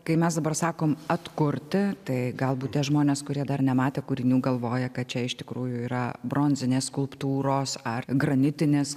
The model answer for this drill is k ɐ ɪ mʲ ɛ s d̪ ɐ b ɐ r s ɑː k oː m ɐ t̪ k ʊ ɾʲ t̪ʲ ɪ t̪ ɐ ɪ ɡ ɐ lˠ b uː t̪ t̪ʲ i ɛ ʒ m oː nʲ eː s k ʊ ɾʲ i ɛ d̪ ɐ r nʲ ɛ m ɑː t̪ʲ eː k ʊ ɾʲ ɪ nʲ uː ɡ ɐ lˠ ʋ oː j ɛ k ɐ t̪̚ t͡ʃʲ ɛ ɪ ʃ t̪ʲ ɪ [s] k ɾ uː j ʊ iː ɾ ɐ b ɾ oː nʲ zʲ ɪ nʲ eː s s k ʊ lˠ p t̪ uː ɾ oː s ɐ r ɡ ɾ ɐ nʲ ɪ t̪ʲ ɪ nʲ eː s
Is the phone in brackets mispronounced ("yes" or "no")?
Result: yes